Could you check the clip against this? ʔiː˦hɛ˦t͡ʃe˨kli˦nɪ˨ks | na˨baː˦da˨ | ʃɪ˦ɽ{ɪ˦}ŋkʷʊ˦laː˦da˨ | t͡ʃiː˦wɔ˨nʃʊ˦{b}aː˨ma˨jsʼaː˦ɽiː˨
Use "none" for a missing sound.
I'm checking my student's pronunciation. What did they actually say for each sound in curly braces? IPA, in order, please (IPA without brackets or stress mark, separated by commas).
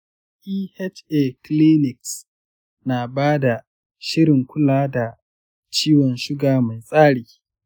ɪ˨, ɡ